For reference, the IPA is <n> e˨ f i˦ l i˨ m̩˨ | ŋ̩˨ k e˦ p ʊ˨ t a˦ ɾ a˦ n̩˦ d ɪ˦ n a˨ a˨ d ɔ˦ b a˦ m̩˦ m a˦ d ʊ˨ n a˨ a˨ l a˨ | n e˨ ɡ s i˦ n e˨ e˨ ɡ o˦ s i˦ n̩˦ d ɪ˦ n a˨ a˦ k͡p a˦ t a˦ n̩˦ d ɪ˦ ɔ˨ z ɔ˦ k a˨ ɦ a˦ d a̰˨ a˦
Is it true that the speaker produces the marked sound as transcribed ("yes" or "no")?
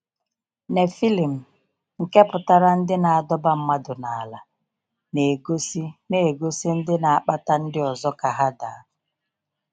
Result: yes